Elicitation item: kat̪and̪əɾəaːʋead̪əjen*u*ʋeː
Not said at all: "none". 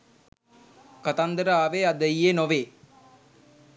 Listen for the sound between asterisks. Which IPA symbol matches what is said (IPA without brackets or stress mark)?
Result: o